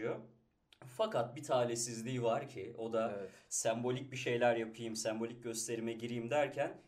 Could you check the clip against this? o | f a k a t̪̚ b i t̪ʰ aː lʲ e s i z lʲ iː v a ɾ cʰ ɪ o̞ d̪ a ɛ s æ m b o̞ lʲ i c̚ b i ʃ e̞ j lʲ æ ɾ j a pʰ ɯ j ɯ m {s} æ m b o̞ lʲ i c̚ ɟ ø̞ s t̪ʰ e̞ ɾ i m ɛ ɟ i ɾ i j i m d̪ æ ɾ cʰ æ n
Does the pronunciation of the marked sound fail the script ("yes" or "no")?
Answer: no